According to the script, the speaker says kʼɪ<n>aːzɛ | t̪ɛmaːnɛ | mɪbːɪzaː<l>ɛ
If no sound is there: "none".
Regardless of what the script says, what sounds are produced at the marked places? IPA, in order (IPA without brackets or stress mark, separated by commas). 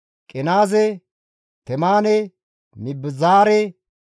n, ɾ